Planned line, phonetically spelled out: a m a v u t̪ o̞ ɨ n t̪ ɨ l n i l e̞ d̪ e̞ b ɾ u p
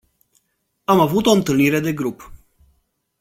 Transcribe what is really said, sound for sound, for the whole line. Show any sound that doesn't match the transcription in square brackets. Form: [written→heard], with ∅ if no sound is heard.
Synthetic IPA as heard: a m a v u t̪ o̞ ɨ n t̪ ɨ l n i [l→ɾ] e̞ d̪ e̞ [b→ɡ] ɾ u p